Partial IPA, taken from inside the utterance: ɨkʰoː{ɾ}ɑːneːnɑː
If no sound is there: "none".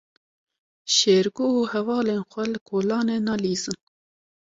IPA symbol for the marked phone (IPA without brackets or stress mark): l